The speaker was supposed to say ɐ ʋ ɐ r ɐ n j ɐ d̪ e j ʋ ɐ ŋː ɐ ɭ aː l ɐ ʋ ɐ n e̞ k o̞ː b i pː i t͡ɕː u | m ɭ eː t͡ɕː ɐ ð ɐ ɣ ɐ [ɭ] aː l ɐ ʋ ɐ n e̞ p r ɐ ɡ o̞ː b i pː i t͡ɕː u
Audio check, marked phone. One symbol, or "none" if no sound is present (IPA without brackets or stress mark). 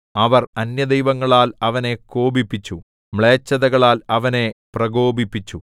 ɭ